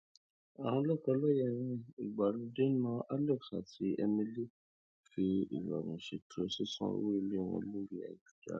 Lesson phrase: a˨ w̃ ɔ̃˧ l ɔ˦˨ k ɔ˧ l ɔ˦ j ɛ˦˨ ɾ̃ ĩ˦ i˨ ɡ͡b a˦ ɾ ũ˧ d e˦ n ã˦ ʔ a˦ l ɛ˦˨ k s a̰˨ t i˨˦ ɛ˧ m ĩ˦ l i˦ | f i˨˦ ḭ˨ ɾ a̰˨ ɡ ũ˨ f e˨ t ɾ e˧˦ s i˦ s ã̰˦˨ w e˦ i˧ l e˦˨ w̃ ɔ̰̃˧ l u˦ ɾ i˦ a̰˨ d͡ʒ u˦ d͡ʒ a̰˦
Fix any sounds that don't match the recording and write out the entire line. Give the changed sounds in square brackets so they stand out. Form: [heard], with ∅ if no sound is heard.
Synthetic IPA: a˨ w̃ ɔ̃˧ l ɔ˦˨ k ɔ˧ l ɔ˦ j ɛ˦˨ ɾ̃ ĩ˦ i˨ ɡ͡b [a˨] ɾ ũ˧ d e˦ n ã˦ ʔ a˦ l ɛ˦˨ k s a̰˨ t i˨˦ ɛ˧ m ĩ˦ l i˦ | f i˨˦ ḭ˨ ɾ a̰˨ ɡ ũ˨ [ʃ] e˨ t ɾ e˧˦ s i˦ s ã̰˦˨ w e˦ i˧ l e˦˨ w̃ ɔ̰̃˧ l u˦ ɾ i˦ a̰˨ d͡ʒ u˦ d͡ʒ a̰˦